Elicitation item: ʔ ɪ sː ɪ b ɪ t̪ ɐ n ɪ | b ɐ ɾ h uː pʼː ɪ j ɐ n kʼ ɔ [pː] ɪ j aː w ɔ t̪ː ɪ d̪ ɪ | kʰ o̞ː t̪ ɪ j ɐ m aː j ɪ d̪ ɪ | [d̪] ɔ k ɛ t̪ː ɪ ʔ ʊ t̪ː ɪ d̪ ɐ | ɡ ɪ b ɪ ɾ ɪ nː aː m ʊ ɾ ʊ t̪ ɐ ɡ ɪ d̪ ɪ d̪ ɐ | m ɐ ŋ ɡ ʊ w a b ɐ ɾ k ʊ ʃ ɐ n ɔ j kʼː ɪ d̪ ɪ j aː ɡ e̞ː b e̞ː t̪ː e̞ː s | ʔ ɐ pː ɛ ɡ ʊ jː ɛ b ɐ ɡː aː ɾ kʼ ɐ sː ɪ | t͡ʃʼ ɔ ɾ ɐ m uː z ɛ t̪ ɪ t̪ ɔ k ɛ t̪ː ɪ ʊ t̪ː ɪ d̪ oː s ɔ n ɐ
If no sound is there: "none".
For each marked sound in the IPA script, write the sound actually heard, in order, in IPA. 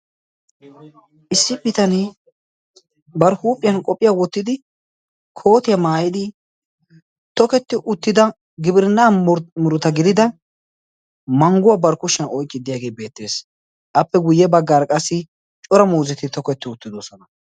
pʼː, t̪

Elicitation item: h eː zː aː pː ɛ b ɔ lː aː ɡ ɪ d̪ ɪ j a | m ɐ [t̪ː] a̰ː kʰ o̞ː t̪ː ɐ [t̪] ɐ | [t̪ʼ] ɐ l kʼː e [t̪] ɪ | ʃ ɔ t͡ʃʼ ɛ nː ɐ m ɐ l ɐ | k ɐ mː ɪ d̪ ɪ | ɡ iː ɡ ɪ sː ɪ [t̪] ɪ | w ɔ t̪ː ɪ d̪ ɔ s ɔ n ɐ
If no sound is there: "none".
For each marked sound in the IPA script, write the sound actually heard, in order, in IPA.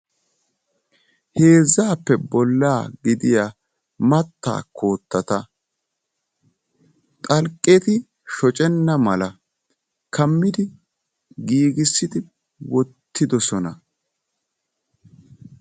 t̪ː, t̪, t̪ʼ, t̪, d̪

